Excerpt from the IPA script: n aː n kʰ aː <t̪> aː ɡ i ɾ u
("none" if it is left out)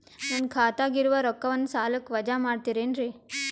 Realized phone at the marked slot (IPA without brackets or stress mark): t̪